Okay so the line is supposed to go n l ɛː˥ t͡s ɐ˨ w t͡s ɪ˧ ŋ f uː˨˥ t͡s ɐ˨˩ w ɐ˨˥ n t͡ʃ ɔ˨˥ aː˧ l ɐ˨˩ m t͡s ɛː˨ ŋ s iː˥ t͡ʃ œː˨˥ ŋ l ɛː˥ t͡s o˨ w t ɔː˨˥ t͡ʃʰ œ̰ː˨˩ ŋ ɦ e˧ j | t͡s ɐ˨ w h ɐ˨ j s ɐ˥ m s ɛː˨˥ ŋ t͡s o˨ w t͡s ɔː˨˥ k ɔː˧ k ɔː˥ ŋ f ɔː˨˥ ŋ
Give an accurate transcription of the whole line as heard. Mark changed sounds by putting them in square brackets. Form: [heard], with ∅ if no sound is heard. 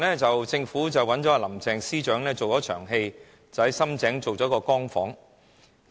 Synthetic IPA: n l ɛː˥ t͡s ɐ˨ w t͡s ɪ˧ ŋ f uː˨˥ t͡s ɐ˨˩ w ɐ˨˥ n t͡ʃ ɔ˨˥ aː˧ l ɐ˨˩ m t͡s ɛː˨ ŋ s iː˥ t͡ʃ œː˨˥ ŋ l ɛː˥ t͡s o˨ w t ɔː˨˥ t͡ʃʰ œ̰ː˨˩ ŋ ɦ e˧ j | t͡s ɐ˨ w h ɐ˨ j s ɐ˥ m [t͡s] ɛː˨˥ ŋ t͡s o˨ w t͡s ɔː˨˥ k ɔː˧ k ɔː˥ ŋ f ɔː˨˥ ŋ